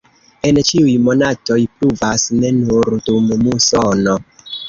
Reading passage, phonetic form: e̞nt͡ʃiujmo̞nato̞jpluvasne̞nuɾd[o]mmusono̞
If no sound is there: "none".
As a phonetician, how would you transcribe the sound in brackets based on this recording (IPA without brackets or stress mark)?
u